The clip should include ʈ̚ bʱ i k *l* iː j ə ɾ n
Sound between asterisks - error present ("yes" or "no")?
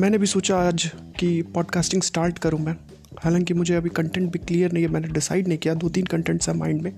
no